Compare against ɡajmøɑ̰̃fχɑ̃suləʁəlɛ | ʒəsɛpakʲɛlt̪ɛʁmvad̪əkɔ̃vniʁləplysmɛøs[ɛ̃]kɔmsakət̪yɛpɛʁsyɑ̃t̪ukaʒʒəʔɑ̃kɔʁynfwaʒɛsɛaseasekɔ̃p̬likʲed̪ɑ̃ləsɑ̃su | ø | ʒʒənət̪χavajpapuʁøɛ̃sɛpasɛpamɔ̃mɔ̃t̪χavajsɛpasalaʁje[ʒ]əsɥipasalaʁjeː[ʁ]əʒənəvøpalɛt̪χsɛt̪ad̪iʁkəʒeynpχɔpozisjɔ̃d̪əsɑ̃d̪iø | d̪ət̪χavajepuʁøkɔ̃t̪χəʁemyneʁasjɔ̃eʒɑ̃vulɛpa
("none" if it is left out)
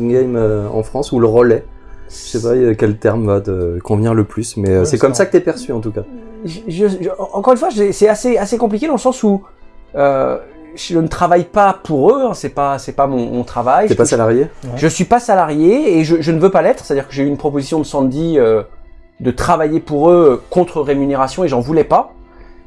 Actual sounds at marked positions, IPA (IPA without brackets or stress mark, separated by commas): ɛ, ʒ, ʒ